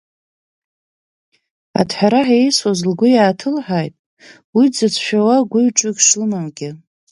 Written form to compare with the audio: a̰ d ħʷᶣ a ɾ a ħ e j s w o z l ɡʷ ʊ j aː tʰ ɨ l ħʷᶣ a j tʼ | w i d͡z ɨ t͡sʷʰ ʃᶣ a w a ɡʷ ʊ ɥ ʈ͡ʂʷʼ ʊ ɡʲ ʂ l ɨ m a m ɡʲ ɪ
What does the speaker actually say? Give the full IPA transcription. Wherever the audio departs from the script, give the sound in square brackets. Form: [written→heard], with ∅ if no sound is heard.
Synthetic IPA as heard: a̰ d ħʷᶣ a ɾ a ħ e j s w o z l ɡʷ ʊ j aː tʰ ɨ l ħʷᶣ a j tʼ | w i d͡z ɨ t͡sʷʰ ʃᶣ a w a ɡʷ ʊ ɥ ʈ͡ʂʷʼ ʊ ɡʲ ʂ l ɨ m a m ɡʲ ɪ